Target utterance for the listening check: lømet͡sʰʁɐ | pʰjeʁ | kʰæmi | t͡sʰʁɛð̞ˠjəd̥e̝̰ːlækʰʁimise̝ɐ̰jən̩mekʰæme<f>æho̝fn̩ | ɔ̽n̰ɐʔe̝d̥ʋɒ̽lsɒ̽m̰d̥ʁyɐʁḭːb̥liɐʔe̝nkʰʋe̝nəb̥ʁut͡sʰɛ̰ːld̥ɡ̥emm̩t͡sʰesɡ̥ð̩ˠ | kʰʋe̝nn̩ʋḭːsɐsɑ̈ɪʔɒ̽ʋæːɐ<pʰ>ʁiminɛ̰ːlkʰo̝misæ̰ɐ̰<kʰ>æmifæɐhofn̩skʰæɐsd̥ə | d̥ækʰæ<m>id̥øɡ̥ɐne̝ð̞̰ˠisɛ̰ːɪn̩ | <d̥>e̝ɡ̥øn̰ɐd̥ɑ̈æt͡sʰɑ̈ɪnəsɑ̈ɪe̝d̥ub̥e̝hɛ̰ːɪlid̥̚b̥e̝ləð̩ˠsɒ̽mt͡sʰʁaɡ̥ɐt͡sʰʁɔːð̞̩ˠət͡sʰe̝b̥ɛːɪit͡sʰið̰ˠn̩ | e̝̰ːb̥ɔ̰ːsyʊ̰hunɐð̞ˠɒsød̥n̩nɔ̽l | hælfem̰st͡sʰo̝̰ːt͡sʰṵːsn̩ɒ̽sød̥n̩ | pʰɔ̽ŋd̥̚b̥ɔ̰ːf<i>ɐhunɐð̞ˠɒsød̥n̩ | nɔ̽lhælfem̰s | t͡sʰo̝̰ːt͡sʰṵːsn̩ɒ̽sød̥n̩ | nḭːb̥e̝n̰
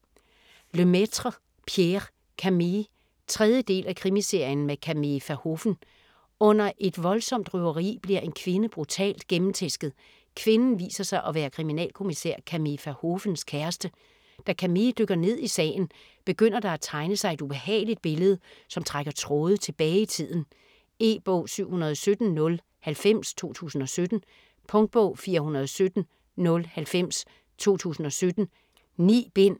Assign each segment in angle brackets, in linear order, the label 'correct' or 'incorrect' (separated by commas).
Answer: correct, incorrect, correct, correct, incorrect, incorrect